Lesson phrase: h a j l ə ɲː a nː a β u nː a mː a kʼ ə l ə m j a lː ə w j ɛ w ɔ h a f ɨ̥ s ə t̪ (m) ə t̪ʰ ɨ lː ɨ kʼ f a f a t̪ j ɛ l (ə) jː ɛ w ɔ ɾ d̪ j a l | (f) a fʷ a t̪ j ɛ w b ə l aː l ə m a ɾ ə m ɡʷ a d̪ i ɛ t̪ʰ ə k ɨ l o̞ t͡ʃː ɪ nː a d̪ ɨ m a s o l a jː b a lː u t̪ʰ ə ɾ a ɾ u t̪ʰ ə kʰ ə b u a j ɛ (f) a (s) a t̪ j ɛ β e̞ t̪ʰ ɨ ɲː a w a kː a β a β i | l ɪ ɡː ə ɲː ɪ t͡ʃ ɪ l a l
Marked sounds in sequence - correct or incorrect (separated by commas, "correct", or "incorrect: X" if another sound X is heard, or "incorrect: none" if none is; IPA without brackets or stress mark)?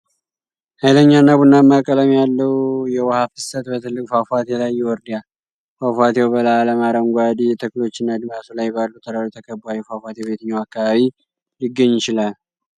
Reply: incorrect: b, incorrect: a, correct, correct, incorrect: f